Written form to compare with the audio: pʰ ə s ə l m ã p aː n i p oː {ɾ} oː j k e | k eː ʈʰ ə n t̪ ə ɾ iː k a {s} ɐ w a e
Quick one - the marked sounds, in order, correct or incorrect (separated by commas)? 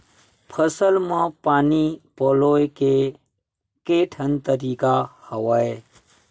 incorrect, incorrect